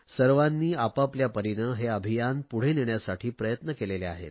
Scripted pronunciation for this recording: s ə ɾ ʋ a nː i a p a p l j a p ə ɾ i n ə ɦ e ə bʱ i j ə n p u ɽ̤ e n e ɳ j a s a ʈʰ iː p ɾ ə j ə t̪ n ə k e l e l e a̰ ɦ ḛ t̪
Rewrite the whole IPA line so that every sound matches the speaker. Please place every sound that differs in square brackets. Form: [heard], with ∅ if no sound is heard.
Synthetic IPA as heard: s ə ɾ ʋ a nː [iː] a p a p l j a p ə ɾ i n ə ɦ e ə bʱ i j [a] n p u ɽ̤ e n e ɳ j a s a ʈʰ iː p ɾ ə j ə t̪ n ə k e l e l e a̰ ɦ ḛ t̪